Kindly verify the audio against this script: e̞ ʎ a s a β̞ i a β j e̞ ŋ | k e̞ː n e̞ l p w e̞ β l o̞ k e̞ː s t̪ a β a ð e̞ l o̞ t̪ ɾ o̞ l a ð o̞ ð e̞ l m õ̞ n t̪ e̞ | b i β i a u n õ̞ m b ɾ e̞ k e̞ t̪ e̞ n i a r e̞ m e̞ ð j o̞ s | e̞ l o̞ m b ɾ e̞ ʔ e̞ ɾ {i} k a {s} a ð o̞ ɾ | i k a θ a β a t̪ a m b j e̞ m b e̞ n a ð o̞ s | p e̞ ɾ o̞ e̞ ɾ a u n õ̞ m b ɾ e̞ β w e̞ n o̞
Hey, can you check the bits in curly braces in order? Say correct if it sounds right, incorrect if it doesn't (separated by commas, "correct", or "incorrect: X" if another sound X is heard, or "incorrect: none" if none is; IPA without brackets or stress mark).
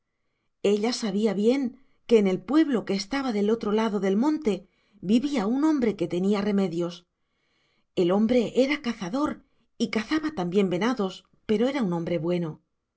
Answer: incorrect: a, incorrect: θ